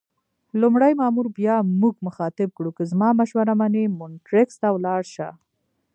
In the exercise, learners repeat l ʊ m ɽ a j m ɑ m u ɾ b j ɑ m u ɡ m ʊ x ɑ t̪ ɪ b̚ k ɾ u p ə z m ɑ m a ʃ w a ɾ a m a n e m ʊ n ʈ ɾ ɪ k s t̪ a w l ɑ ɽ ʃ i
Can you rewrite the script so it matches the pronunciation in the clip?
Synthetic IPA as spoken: l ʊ m ɽ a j m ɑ m u ɾ b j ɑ m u ɡ m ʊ x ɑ t̪ ɪ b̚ k ɽ u k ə z m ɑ m a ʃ w a ɾ a m a n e m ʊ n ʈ ɾ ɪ k s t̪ a w l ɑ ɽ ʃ a